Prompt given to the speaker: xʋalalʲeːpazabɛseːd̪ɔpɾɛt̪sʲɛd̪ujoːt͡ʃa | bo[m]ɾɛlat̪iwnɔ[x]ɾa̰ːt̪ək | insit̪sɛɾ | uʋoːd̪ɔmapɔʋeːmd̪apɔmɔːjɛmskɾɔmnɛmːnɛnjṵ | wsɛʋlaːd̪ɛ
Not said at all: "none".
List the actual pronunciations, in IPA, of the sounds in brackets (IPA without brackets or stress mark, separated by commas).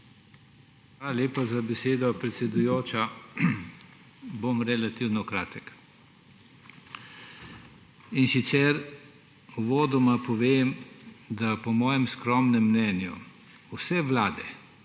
m, k